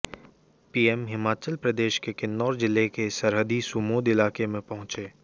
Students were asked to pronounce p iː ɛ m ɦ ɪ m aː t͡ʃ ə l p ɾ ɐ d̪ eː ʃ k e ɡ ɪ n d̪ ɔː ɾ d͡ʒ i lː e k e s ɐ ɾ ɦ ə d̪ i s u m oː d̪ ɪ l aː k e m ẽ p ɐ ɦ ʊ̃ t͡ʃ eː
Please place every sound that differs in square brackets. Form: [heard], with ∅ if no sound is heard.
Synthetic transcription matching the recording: p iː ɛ m ɦ ɪ m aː t͡ʃ ə l p ɾ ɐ d̪ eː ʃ k e [k] ɪ n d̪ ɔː ɾ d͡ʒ [ɪ] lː e k e s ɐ ɾ ɦ ə d̪ i s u m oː d̪ ɪ l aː k e m ẽ p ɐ ɦ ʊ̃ t͡ʃ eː